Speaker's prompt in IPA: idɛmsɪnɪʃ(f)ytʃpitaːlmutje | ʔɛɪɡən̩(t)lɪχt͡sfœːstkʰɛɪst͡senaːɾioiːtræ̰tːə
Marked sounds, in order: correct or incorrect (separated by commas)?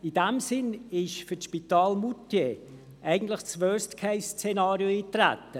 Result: correct, correct